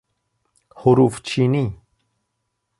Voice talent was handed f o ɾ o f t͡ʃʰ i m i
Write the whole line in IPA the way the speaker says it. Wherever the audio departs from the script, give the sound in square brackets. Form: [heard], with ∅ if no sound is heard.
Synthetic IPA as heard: [h] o ɾ [u] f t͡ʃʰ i [n] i